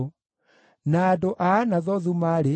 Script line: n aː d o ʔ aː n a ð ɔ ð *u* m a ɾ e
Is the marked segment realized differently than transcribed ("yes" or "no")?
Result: no